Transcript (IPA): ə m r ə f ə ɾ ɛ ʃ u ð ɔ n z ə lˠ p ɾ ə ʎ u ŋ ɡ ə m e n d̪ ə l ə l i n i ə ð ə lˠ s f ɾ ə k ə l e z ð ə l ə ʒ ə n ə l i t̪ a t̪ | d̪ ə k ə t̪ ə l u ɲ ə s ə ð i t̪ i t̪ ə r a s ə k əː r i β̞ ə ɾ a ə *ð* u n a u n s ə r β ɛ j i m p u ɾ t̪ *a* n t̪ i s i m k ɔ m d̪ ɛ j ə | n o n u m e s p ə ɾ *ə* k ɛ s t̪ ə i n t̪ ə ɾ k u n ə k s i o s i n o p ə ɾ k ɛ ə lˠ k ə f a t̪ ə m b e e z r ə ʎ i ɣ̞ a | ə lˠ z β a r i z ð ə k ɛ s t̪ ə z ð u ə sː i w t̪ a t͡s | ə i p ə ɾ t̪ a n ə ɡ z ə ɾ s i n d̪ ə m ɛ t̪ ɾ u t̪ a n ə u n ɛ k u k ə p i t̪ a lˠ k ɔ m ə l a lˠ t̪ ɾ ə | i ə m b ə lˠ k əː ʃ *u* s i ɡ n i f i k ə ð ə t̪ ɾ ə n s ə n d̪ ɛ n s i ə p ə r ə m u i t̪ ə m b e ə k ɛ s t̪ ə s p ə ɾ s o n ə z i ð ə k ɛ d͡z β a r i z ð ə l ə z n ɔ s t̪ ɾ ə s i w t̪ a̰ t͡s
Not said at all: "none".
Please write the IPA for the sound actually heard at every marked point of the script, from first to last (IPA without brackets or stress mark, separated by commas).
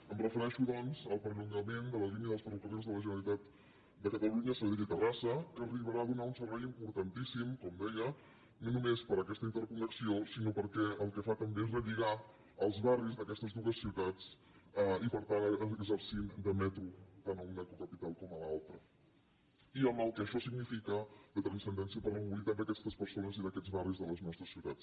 ð, ə, ə, ɔ